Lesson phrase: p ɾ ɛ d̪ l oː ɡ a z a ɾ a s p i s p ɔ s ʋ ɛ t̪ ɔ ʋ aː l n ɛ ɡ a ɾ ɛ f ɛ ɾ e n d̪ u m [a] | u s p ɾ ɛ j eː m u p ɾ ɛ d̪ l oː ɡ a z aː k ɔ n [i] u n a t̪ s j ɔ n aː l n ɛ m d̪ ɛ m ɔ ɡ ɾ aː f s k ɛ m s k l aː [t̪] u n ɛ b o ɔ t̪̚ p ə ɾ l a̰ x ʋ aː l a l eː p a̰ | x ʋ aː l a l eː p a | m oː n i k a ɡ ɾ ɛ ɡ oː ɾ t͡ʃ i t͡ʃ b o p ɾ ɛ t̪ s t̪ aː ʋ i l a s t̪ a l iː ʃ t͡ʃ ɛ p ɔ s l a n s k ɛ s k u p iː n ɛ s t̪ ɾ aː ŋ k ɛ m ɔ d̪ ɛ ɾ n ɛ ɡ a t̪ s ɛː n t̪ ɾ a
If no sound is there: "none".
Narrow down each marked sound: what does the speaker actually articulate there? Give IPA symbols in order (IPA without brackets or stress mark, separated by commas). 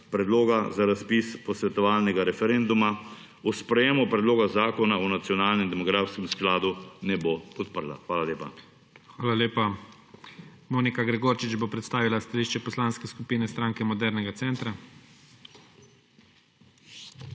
a, a, d̪